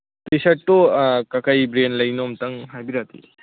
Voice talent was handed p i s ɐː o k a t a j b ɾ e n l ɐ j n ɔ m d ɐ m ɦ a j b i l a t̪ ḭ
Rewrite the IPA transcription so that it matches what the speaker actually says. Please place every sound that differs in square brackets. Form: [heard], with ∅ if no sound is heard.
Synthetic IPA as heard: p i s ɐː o k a [k] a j b ɾ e n l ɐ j n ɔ m [t] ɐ [ŋ] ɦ a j b i [ɾ] a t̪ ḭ

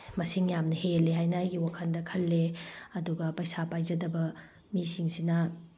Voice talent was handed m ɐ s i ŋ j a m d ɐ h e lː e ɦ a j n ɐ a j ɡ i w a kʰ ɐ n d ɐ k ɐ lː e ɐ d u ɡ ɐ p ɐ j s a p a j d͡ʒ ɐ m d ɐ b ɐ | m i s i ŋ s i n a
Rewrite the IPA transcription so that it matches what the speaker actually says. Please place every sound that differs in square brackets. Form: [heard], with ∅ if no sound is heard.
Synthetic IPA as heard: m ɐ s i ŋ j a m [n] ɐ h e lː e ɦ a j n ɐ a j ɡ i w a kʰ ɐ n d ɐ [kʰ] ɐ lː e ɐ d u ɡ ɐ p ɐ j s a p a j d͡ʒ ɐ [∅] d ɐ b ɐ | m i s i ŋ s i n [ɐ]

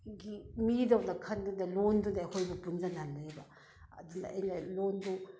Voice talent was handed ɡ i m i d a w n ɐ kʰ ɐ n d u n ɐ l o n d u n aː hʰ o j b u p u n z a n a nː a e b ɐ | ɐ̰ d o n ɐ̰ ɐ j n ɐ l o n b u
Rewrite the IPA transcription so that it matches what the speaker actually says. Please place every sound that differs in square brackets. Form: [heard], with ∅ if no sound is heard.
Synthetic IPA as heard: ɡ i m i d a w n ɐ kʰ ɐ n d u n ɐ l o n d u n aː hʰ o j b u p u n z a n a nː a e b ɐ | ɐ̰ d [u] n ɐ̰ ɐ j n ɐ l o n [d] u

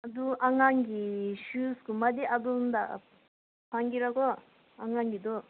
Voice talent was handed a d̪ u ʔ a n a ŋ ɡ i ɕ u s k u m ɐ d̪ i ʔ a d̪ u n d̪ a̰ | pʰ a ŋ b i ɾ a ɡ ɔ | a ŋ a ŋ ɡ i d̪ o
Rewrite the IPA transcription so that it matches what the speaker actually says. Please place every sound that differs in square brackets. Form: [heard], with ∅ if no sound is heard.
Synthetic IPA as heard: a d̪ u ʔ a [ŋ] a ŋ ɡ i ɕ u s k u m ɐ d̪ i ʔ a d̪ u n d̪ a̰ | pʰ a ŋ [ɡ] i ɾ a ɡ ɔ | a ŋ a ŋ ɡ i d̪ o

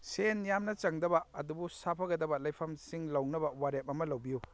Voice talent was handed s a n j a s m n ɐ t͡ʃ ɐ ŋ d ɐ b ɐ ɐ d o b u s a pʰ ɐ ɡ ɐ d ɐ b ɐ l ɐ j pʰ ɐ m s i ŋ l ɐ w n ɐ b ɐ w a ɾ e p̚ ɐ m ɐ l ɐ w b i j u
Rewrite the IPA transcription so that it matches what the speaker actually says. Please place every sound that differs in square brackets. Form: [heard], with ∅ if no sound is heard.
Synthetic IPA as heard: s [e] n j a [∅] m n ɐ t͡ʃ ɐ ŋ d ɐ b ɐ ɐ d [u] b u s a pʰ ɐ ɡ ɐ d ɐ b ɐ l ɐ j pʰ ɐ m s i ŋ l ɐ w n ɐ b ɐ w a ɾ e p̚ ɐ m ɐ l ɐ w b i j u

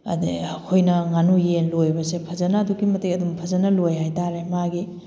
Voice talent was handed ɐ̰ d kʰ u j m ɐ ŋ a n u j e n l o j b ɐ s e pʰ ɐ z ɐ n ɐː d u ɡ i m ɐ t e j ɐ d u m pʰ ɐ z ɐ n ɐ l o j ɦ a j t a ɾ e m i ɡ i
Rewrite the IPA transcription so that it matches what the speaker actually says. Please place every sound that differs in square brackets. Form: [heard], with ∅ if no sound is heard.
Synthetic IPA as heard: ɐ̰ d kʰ [o] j [n] ɐ ŋ a n u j e n l o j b ɐ s e pʰ ɐ z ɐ n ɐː d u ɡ i m ɐ t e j ɐ d u m pʰ ɐ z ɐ n ɐ l o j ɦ a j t a ɾ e m [a] ɡ i

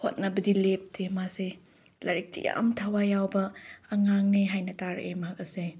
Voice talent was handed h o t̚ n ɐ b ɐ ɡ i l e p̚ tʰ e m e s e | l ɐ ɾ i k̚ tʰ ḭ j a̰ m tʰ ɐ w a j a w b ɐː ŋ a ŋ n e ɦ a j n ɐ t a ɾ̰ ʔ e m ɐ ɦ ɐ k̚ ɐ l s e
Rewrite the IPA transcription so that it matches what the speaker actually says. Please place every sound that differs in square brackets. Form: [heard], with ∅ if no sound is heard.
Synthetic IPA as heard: h o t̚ n ɐ b ɐ [d] i l e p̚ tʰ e m [a] s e | l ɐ ɾ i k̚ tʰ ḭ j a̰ m tʰ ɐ w a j a w b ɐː ŋ a ŋ n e ɦ a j n ɐ t a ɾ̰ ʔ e m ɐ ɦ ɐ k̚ ɐ [∅] s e

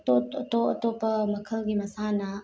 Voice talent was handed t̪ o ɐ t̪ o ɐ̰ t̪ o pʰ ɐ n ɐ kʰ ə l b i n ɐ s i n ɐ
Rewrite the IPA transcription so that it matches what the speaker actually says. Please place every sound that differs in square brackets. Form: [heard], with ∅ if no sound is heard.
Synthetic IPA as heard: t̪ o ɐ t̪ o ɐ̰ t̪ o [p] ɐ [m] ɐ kʰ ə l [ɡ] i [m] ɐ s [a] n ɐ

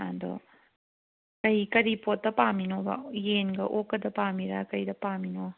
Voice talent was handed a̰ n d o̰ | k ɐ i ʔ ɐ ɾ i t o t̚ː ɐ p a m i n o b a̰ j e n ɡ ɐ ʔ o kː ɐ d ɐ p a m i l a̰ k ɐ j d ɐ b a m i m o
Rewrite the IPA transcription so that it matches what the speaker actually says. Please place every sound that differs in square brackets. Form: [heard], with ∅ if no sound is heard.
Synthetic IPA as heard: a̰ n d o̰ | k ɐ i [k] ɐ ɾ i [p] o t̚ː ɐ p a m i n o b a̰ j e n ɡ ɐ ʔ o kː ɐ d ɐ p a m i [ɾ] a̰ k ɐ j d ɐ [p] a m i [n] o

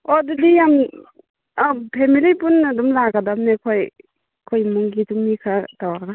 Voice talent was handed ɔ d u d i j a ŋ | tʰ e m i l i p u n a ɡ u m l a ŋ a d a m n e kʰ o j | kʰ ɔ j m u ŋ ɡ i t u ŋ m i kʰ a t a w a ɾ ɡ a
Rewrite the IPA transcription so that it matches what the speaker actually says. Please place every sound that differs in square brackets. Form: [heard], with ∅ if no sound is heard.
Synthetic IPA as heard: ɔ d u d i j a [m] | [pʰ] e m i l i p u n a [d] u m l a [ɡ] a d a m n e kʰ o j | kʰ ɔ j m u ŋ ɡ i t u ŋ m i kʰ a t a w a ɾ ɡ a

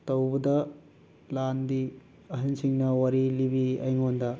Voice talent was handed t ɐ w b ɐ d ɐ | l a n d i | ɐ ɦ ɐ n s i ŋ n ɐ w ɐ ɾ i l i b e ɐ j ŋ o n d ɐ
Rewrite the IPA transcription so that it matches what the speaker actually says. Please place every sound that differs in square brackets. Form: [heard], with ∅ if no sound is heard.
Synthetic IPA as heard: t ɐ w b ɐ d ɐ | l a n d i | ɐ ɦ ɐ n s i ŋ n ɐ w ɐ ɾ i l i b [i] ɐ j ŋ o n d ɐ

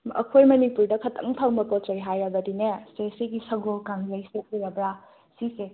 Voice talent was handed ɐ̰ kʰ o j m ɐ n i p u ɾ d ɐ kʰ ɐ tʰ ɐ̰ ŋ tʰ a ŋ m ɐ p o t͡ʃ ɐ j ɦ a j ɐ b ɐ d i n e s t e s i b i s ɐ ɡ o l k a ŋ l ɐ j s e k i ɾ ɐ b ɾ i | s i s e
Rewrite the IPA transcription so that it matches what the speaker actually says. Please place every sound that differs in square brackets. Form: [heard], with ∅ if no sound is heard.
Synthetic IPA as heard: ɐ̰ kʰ o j m ɐ n i p u ɾ d ɐ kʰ ɐ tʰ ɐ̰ ŋ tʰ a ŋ m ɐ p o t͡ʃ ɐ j ɦ a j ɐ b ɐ d i n e s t e s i [ɡ] i s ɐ ɡ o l k a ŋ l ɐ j s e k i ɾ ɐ b ɾ [a] | s i s e

